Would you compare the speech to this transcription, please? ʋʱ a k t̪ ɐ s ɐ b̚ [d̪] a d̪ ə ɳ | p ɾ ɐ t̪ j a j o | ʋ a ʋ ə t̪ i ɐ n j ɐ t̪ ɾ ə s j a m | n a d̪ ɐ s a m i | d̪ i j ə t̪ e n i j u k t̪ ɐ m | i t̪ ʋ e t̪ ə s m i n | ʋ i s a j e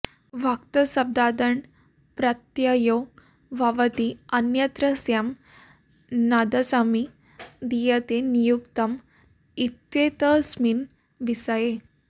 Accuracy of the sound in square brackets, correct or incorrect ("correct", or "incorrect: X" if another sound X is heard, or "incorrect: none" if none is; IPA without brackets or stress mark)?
correct